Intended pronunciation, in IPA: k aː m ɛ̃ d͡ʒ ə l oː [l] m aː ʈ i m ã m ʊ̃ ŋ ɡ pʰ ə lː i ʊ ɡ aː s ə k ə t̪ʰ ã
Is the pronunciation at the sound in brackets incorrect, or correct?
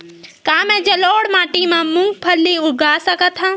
incorrect